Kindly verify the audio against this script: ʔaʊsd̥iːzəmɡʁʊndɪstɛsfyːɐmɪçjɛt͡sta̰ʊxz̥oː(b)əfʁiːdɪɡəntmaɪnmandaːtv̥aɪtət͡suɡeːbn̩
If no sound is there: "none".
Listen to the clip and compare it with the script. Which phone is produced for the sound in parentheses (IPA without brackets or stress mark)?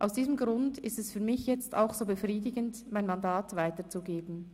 b